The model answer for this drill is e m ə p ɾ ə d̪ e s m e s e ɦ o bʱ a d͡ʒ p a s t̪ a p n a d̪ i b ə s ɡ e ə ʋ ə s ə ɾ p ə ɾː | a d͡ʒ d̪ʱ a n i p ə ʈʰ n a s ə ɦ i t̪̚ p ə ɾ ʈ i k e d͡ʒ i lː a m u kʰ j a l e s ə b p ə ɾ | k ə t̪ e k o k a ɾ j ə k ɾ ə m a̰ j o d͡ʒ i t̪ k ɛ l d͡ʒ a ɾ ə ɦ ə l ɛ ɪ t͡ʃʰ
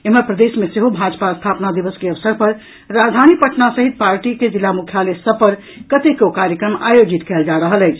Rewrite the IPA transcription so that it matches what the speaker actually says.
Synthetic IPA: e m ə p ɾ ə d̪ e s m e s e ɦ o bʱ a d͡ʒ p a s t̪ʰ a p n a d̪ i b ə s k e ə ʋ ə s ə ɾ p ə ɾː | a d͡ʒ d̪ʱ a n i p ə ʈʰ n a s ə ɦ i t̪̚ p a ɾ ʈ i k e d͡ʒ i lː a m u kʰ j a l e s ə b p ə ɾ | k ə t̪ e k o k a ɾ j ə k ɾ ə m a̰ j o d͡ʒ i t̪ k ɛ l d͡ʒ a ɾ ə ɦ ə l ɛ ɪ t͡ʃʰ